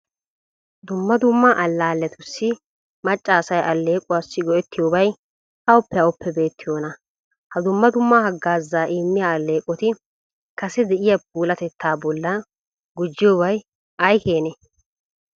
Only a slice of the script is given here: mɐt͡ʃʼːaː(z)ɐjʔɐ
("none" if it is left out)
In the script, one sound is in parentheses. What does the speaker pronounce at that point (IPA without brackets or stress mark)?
s